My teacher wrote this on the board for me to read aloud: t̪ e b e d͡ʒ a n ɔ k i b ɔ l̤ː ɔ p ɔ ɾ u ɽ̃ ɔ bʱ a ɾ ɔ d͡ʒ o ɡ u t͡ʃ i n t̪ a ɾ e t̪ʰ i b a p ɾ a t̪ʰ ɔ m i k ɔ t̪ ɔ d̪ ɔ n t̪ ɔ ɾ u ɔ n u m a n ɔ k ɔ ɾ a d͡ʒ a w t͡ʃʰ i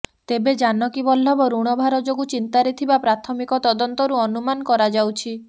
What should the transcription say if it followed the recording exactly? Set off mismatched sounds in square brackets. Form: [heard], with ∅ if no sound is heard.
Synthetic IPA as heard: t̪ e b e d͡ʒ a n ɔ k i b ɔ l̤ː ɔ [b] ɔ ɾ u ɽ̃ ɔ bʱ a ɾ ɔ d͡ʒ o ɡ u t͡ʃ i n t̪ a ɾ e t̪ʰ i b a p ɾ a t̪ʰ ɔ m i k ɔ t̪ ɔ d̪ ɔ n t̪ ɔ ɾ u ɔ n u m a n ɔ k ɔ ɾ a d͡ʒ a w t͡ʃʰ i